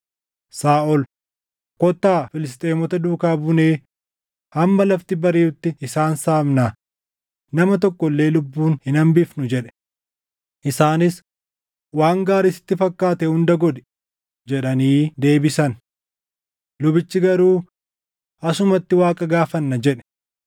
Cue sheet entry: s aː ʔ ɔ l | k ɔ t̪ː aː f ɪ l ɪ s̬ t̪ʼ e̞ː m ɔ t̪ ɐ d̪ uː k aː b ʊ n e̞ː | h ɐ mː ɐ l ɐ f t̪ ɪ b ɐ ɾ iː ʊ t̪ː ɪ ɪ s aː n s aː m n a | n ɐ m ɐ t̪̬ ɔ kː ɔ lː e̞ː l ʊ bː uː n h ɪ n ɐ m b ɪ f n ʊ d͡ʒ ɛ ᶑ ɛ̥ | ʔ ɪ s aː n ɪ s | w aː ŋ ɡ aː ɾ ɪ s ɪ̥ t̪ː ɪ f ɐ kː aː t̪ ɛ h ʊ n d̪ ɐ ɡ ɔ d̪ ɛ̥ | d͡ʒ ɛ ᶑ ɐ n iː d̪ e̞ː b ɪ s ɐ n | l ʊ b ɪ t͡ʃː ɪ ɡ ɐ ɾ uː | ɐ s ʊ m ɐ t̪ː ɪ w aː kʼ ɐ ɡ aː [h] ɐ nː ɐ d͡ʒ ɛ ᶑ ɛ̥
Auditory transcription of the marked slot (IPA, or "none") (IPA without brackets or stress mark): f